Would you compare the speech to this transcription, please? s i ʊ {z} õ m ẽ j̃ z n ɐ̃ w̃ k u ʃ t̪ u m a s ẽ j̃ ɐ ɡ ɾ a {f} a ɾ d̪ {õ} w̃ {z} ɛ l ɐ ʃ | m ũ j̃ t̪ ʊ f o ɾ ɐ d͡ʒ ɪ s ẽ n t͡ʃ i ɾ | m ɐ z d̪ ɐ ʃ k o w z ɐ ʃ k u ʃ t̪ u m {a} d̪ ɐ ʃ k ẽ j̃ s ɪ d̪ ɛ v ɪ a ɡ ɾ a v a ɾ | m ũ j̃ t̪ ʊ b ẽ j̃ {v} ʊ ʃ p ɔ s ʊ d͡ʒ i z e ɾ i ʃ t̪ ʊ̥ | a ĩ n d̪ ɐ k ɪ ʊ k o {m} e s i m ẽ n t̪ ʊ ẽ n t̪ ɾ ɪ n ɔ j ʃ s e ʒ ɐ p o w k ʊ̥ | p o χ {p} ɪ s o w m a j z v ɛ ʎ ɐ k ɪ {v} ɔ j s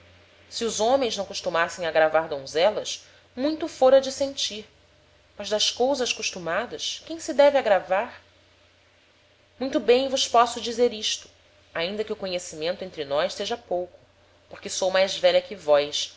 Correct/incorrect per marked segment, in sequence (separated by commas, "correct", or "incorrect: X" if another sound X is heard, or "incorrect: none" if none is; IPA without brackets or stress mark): correct, incorrect: v, correct, correct, correct, correct, incorrect: ɲ, incorrect: k, correct